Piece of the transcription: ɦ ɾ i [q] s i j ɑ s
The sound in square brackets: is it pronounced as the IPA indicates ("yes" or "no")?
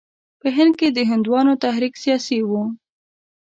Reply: no